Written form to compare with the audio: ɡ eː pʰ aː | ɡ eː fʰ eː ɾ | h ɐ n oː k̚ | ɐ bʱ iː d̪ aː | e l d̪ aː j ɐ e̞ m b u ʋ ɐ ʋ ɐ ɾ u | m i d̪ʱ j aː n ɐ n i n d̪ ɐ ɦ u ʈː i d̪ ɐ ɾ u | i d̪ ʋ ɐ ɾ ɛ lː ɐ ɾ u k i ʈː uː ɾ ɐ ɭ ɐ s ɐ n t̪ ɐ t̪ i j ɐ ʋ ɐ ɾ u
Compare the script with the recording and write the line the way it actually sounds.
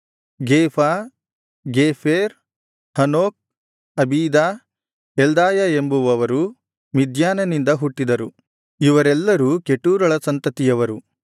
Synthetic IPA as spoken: ɡ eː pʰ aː | ɡ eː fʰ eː ɾ | h ɐ n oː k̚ | ɐ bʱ iː d̪ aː | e l d̪ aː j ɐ e̞ m b u ʋ ɐ ʋ ɐ ɾ u | m i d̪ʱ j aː n ɐ n i n d̪ ɐ ɦ u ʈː i d̪ ɐ ɾ u | i ʋ ɐ ɾ ɛ lː ɐ ɾ u k e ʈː uː ɾ ɐ ɭ ɐ s ɐ n t̪ ɐ t̪ i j ɐ ʋ ɐ ɾ u